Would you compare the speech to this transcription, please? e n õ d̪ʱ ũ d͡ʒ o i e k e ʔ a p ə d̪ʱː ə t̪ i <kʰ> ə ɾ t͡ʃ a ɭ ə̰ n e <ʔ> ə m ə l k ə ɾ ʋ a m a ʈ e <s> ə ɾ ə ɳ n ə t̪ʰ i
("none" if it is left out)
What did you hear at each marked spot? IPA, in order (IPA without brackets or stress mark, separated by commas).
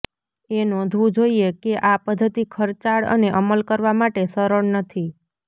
kʰ, ʔ, s